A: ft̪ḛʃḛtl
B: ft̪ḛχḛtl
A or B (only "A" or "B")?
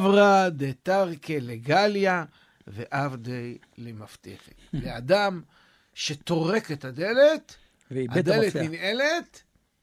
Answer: B